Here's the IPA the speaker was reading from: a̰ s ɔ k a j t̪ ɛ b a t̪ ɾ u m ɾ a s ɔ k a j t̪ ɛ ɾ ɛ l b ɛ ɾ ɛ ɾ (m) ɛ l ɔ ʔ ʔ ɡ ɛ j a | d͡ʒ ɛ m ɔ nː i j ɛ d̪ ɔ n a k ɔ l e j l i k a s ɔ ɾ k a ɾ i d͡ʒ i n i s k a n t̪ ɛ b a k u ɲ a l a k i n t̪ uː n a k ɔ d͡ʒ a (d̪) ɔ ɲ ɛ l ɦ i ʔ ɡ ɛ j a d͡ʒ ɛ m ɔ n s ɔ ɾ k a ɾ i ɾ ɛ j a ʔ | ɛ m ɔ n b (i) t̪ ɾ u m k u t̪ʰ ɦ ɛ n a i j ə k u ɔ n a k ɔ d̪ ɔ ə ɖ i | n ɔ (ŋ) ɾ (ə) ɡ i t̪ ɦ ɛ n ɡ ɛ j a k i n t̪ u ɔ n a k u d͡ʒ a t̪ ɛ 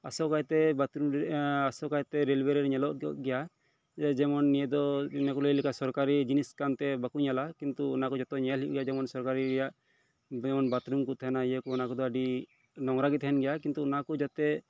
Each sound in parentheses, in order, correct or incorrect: incorrect, incorrect, incorrect, correct, incorrect

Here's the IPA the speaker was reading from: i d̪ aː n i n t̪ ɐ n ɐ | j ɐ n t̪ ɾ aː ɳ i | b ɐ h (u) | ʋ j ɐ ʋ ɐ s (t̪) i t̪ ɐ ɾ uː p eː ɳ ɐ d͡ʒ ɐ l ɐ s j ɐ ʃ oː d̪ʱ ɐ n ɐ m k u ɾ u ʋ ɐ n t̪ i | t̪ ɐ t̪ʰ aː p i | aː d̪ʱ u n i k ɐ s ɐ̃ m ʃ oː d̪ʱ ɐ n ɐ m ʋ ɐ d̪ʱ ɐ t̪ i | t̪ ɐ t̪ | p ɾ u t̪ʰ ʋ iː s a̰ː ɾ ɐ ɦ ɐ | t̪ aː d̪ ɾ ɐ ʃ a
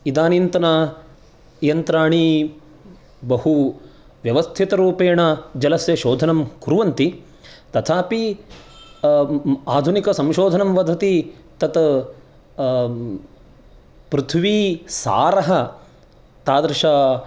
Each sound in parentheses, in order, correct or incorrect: correct, incorrect

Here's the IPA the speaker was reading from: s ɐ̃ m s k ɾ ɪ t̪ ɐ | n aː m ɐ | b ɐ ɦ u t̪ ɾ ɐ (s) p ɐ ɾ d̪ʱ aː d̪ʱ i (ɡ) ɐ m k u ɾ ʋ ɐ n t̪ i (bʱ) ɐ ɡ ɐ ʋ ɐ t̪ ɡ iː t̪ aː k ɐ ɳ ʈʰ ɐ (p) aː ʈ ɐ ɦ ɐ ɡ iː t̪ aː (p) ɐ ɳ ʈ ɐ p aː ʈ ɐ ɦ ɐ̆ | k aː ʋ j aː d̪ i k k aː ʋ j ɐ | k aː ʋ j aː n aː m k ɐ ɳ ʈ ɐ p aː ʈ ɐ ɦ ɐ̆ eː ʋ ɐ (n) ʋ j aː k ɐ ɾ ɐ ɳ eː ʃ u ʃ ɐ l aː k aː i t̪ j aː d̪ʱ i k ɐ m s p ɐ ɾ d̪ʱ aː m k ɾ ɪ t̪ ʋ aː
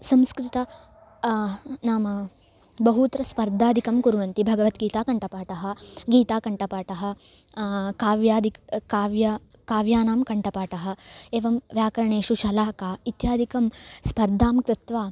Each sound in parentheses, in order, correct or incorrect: correct, incorrect, correct, correct, incorrect, incorrect

